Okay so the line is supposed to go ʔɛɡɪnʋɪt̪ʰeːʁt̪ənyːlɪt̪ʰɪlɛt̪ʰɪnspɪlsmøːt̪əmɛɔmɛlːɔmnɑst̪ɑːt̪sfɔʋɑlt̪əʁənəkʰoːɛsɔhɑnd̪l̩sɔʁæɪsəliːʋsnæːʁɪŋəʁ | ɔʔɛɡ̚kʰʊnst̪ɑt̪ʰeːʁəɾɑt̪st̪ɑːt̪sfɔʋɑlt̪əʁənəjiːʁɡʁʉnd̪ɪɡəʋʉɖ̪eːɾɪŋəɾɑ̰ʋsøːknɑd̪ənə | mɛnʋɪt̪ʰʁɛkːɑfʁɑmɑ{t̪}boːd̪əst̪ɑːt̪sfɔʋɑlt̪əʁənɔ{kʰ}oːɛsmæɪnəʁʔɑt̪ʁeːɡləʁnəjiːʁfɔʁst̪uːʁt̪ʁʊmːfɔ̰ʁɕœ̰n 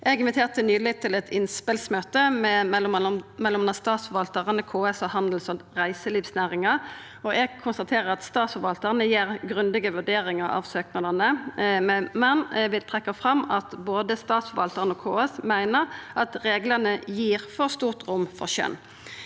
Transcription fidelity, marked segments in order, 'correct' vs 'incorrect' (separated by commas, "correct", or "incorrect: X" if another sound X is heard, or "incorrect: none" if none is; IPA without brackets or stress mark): correct, correct